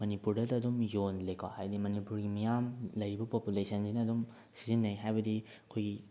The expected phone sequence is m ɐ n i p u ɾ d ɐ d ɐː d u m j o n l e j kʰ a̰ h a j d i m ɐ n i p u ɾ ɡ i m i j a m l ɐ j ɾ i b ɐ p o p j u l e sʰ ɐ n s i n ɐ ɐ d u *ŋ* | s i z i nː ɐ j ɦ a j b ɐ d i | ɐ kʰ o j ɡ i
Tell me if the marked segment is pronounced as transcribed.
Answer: no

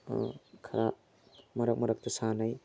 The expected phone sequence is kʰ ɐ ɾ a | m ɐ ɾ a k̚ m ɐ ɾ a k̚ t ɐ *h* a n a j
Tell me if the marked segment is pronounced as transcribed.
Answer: no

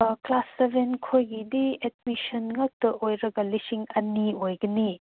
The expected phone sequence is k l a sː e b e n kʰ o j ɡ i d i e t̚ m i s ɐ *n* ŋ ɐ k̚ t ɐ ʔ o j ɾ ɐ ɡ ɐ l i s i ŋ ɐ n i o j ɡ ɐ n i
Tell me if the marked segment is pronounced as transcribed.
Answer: yes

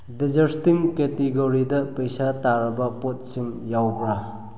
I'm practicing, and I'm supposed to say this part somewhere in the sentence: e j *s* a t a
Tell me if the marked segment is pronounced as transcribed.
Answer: yes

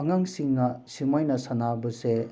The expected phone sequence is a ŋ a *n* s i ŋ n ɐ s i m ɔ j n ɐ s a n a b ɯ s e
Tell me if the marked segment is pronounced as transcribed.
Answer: no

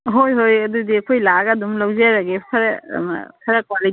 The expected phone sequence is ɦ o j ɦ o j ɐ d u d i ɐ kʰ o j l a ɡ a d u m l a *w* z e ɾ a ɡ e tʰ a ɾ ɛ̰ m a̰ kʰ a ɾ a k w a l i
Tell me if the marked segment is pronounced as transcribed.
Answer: yes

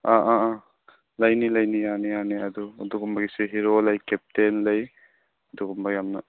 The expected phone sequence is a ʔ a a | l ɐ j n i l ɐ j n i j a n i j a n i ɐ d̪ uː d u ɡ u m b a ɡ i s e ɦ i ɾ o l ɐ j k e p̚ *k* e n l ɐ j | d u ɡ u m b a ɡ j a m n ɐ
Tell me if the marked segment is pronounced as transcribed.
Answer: no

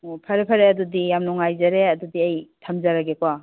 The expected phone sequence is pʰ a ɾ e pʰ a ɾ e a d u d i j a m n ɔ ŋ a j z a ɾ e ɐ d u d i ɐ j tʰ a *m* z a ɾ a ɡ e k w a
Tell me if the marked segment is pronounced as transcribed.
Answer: yes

